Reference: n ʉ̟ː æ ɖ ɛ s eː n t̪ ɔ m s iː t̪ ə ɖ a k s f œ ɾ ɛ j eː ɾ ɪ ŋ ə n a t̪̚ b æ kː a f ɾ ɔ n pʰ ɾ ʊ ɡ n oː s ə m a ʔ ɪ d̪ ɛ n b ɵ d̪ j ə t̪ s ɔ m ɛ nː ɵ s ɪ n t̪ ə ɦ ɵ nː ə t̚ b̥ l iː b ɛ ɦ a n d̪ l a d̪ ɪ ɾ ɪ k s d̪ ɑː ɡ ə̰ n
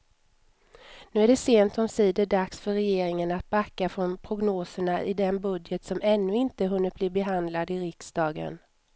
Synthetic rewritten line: n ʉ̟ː æ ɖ ɛ s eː n t̪ ɔ m s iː d̪ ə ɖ a k s f œ ɾ ɛ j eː ɾ ɪ ŋ ə n a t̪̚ b a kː a f ɾ ɔ n pʰ ɾ ʊ ɡ n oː s ə ɳ a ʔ ɪ d̪ ɛ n b ɵ d̪ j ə t̪ s ɔ m ɛ nː ɵ ɪ n t̪ ə ɦ ɵ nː ə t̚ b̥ l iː b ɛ ɦ a n d̪ l a d̪ ɪ ɾ ɪ k s d̪ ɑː ɡ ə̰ n